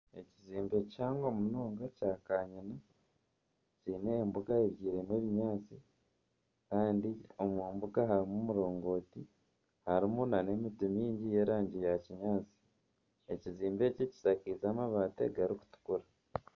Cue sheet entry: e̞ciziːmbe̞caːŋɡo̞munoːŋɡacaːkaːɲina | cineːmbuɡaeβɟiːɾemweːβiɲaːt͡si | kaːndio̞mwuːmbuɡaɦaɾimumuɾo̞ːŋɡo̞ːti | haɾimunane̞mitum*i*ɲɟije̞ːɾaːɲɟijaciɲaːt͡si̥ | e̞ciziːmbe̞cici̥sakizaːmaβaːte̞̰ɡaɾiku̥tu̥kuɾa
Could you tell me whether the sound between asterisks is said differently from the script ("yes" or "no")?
yes